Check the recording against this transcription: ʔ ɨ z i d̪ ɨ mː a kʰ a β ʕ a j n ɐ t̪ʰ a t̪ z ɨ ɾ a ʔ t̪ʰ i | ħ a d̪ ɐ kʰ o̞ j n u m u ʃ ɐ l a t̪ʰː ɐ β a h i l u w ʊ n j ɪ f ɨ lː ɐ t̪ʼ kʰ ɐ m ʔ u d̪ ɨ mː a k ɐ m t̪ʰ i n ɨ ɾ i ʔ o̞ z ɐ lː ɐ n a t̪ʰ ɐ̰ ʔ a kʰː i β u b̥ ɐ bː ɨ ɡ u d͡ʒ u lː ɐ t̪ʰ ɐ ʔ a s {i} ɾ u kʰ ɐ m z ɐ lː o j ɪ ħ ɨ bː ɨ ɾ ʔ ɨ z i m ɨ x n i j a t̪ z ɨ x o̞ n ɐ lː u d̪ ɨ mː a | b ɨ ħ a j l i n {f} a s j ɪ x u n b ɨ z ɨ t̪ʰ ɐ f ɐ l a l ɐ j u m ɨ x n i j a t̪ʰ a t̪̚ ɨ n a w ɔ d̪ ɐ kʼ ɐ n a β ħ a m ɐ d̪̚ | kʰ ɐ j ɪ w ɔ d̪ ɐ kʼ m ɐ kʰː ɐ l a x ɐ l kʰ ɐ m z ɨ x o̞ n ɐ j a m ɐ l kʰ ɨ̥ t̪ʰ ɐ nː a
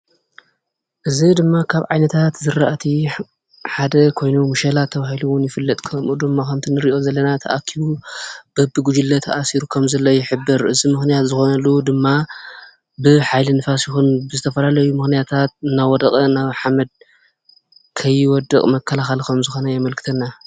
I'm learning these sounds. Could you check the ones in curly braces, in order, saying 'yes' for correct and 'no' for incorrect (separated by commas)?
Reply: yes, yes